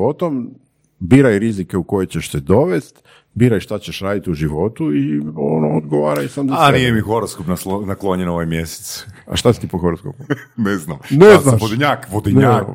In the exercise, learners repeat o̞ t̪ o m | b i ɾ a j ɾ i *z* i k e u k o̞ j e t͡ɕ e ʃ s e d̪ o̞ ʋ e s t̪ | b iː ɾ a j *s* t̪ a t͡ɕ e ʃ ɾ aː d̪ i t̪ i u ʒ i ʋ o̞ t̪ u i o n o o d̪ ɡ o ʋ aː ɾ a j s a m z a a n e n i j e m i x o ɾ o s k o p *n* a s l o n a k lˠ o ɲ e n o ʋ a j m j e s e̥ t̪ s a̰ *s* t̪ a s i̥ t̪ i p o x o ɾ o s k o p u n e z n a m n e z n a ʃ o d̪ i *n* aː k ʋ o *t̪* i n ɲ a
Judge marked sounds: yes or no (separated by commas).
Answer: yes, no, yes, no, no, no